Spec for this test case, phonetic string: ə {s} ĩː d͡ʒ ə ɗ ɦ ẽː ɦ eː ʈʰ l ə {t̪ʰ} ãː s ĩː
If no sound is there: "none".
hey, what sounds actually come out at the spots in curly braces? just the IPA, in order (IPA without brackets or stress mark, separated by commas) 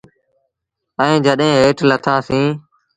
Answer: none, t̪ʰ